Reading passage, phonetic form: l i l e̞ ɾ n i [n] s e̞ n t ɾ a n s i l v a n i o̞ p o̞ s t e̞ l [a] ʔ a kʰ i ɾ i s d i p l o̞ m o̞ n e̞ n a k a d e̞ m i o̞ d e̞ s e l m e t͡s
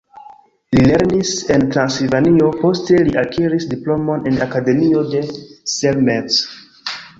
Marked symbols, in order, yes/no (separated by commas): no, no